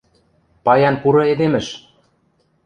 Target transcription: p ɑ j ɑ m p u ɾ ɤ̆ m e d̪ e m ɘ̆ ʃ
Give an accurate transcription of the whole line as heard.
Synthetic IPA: p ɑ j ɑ n p u ɾ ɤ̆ e d̪ e m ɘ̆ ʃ